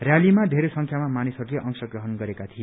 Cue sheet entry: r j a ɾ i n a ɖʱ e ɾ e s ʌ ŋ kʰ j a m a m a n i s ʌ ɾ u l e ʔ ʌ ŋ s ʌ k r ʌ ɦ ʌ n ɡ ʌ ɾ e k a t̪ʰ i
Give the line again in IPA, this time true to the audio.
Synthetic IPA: r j a l i m a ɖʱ e ɾ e s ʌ ŋ kʰ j a m a m a n i s ʌ ɾ u l e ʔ ʌ ŋ s ʌ ɡ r ʌ ɦ ʌ n ɡ ʌ ɾ e k a t̪ʰ i